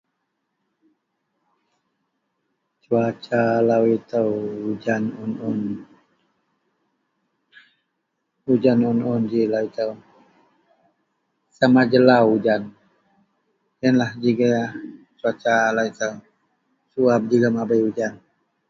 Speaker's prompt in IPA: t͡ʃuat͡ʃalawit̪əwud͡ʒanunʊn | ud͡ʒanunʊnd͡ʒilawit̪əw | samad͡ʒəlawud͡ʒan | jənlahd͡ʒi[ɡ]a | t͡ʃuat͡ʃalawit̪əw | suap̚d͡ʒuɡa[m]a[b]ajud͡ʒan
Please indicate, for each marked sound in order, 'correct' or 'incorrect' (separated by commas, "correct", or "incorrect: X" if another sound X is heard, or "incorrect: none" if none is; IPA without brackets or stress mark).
correct, correct, correct